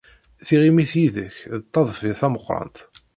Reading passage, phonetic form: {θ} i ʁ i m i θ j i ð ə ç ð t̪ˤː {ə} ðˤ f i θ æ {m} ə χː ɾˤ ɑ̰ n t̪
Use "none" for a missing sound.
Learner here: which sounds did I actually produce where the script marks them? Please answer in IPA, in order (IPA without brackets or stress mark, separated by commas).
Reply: θ, ɑ, m